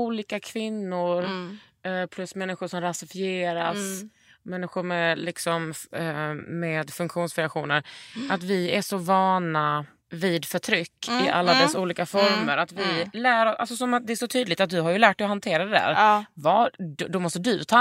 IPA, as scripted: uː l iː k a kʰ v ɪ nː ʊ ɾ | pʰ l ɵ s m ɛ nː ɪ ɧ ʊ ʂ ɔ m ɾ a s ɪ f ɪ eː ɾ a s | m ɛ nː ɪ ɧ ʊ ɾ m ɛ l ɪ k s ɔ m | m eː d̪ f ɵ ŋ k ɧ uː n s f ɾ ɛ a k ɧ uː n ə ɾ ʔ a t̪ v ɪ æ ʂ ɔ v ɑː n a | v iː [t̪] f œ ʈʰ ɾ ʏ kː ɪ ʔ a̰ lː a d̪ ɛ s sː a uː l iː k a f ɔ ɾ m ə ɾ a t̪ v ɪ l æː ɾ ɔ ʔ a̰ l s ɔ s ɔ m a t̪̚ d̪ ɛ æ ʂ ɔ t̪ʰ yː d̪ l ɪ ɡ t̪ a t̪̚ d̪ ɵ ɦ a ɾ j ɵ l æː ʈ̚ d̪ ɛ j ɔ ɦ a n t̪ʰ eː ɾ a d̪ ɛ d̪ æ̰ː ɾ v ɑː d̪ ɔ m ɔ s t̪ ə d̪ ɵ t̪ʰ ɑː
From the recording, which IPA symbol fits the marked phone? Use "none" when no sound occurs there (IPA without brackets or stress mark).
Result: d̪